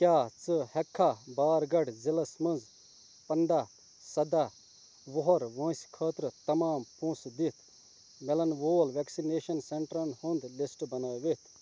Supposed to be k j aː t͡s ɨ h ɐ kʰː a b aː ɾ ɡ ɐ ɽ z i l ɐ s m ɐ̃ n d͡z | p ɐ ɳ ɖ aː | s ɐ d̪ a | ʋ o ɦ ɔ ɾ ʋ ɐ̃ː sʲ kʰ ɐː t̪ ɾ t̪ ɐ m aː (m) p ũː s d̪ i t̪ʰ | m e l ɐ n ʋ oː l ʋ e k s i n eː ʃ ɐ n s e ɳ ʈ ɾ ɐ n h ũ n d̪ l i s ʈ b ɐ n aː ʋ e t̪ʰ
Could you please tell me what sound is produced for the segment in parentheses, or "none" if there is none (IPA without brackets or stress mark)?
m